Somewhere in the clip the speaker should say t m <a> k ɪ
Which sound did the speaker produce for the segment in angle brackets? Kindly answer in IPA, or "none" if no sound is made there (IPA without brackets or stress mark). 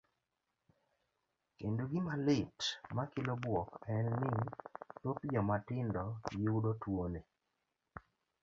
a